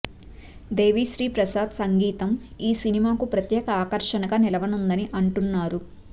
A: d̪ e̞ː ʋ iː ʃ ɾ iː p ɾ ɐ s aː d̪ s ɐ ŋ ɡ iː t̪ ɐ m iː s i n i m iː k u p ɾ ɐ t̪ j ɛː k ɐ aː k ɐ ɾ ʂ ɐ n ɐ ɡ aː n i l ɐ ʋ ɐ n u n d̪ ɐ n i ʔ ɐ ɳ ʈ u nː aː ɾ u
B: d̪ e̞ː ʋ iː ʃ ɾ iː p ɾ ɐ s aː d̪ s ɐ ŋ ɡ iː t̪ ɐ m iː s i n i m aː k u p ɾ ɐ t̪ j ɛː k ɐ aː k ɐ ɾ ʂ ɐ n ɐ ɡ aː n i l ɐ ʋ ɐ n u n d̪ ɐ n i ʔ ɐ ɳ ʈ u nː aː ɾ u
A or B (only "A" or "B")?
B